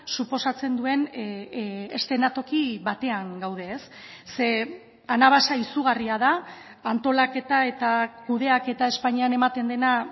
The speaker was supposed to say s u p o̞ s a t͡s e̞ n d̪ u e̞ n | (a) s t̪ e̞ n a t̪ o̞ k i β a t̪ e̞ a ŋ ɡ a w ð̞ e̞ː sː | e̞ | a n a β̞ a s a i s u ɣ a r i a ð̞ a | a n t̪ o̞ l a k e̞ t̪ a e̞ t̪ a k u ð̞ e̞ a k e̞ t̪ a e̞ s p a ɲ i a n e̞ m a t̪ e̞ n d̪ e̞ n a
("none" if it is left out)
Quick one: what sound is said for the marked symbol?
e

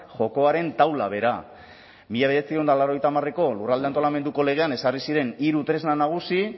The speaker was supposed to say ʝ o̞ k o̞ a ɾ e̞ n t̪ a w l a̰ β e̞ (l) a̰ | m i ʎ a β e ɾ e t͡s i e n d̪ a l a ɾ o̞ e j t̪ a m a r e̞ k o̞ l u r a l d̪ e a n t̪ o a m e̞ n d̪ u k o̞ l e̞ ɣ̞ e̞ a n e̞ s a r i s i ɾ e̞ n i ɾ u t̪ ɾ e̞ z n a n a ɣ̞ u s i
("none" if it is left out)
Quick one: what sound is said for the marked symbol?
ɾ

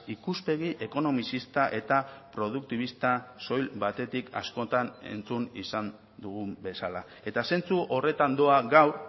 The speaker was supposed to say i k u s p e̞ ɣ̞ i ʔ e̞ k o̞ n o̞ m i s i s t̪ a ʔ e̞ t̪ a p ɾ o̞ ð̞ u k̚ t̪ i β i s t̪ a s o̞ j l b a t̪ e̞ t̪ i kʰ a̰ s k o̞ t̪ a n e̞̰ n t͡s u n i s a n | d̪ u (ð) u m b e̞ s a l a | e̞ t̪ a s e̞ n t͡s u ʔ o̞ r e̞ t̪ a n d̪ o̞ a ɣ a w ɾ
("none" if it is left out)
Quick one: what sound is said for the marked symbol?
ɣ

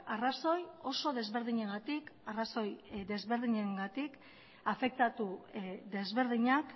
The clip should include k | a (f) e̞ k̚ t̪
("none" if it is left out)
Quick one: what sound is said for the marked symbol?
f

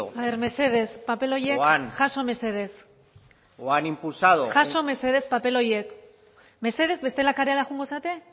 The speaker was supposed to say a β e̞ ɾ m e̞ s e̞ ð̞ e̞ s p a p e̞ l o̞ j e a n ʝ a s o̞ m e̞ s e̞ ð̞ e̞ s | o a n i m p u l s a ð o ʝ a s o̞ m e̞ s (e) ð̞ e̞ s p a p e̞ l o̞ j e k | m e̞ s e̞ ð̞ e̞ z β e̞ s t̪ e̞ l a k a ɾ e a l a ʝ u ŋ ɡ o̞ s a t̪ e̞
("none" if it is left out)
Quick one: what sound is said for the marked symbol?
e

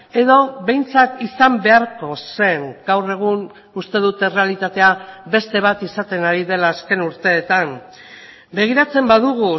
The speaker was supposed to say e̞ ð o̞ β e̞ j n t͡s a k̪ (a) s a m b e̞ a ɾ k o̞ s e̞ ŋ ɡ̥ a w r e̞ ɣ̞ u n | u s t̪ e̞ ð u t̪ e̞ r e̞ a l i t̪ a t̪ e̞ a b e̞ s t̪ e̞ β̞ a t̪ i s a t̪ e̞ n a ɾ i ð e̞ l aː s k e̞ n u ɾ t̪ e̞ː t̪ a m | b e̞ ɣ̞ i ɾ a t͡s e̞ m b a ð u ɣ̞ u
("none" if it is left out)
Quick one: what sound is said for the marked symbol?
i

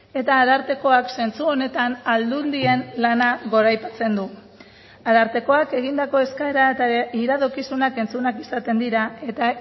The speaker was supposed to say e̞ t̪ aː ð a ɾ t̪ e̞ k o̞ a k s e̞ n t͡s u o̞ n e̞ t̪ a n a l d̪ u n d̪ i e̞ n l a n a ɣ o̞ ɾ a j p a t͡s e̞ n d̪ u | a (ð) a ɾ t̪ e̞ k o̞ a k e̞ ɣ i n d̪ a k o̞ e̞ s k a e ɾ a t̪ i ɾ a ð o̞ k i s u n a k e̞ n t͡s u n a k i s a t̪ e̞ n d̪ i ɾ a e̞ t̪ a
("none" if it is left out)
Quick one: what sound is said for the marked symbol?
ð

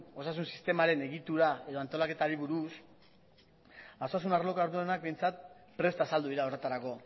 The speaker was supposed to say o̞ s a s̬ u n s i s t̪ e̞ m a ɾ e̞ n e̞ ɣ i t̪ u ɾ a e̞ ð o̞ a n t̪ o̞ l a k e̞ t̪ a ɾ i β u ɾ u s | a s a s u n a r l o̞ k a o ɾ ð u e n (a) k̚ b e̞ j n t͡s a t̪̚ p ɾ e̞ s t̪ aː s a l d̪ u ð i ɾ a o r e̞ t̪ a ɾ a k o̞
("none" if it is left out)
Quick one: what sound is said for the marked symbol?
a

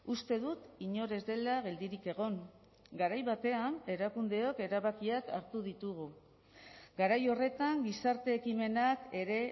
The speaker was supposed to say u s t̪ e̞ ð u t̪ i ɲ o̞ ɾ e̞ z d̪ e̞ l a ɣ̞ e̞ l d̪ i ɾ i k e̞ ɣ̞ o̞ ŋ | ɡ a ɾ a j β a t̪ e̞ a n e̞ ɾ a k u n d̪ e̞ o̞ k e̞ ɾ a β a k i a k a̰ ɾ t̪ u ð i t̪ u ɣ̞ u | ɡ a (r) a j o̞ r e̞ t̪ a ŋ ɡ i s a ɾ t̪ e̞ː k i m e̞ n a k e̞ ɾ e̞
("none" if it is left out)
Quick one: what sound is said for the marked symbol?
ɾ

